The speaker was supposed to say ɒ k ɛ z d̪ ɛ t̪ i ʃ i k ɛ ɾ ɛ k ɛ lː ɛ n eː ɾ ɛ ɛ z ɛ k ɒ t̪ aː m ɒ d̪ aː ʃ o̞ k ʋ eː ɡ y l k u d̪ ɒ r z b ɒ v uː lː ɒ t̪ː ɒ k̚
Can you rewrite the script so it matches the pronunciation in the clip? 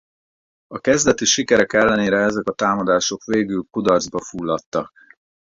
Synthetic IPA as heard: ɒ k ɛ z d̪ ɛ t̪ i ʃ i k ɛ ɾ ɛ k ɛ lː ɛ n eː ɾ ɛ ɛ z ɛ k ɒ t̪ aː m ɒ d̪ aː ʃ o̞ k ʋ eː ɡ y l k u d̪ ɒ r z b ɒ f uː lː ɒ t̪ː ɒ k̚